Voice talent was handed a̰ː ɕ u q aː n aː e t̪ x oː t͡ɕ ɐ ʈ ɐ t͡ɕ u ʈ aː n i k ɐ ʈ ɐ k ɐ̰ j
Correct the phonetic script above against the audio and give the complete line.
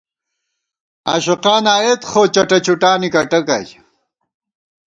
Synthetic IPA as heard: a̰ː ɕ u q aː n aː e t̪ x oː t͡ɕ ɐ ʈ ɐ t͡ɕ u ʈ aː n i k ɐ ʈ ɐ k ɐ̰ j